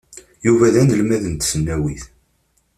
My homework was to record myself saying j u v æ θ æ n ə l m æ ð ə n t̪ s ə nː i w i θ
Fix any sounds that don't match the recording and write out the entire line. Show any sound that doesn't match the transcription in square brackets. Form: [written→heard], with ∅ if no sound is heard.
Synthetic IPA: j u v æ [θ→ð] æ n ə l m æ ð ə n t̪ s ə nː [i→æ] w i θ